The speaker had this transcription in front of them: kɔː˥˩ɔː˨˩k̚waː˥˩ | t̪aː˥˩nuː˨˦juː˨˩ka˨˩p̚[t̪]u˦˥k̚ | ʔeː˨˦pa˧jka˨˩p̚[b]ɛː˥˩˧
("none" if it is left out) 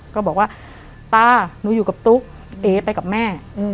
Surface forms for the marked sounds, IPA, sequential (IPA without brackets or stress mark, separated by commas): t̪, m